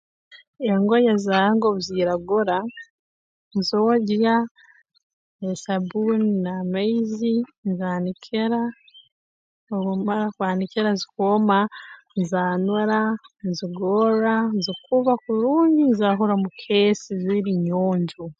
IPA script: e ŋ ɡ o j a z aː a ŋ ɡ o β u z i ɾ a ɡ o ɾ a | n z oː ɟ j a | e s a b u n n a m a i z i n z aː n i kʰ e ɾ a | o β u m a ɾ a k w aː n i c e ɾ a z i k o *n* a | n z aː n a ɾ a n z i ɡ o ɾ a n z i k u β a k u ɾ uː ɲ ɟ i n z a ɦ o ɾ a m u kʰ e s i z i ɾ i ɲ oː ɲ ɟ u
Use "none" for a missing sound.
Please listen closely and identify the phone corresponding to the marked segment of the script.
m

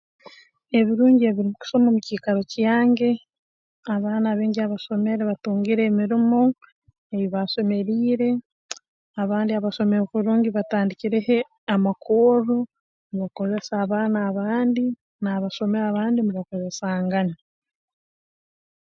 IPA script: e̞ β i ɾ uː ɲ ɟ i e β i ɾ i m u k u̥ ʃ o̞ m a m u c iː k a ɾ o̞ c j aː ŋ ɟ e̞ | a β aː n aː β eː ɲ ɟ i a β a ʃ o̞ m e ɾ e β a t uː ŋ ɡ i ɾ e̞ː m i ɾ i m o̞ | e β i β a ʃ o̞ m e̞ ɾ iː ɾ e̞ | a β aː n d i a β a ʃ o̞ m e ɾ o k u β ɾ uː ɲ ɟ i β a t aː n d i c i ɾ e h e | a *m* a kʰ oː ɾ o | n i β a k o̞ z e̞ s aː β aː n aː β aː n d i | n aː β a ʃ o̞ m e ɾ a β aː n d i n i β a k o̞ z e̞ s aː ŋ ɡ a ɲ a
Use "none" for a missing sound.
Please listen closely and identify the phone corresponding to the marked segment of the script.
m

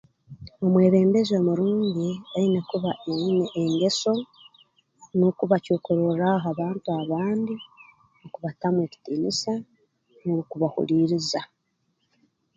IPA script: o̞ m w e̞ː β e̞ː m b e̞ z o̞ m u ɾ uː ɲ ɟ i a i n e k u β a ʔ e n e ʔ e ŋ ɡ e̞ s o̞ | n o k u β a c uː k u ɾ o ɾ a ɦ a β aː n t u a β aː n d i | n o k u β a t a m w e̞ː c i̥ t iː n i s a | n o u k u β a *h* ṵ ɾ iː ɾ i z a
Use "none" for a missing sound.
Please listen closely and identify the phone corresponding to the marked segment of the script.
h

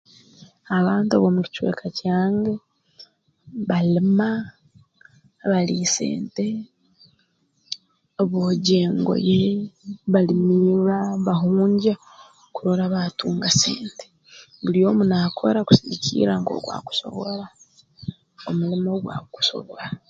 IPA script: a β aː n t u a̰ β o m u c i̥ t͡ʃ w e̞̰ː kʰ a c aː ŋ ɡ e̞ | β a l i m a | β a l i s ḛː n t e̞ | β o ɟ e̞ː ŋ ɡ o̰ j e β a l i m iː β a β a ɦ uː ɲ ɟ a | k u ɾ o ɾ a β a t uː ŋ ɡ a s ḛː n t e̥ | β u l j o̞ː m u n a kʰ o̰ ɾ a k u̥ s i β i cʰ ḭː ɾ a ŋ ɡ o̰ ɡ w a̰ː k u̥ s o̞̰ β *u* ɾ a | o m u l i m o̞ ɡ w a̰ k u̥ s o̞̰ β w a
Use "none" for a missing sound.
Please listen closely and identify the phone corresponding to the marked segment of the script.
o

